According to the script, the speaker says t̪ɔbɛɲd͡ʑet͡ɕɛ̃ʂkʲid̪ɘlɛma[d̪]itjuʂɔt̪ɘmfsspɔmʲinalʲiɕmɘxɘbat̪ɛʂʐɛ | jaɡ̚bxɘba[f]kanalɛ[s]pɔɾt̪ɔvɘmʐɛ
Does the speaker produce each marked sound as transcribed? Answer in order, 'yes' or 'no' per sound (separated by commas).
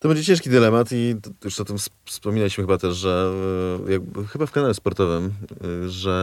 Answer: no, yes, yes